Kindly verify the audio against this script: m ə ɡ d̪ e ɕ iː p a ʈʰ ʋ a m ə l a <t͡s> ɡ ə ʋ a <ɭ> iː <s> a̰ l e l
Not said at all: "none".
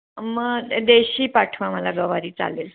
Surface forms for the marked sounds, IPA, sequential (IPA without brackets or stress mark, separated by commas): none, ɾ, t͡s